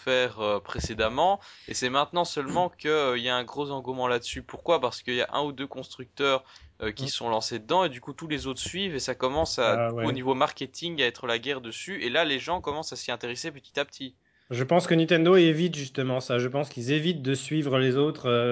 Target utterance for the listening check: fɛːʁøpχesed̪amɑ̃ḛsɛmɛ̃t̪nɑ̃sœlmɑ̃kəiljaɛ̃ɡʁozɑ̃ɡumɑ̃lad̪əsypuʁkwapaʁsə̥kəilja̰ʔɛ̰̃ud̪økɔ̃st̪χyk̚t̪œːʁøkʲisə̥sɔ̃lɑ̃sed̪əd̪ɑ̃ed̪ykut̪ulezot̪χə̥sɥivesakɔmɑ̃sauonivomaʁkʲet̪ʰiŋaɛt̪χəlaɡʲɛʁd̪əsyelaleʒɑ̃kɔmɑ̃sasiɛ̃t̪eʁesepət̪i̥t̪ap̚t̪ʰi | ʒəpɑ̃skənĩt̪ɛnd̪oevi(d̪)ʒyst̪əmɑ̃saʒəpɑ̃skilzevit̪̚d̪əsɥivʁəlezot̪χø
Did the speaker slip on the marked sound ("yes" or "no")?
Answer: yes